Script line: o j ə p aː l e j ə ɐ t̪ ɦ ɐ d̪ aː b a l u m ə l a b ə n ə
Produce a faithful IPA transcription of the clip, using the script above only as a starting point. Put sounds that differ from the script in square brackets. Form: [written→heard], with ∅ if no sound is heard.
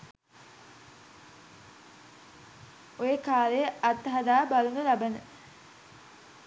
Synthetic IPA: o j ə [p→k] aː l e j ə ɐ t̪ ɦ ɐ d̪ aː b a l u [m→n] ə l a b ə n ə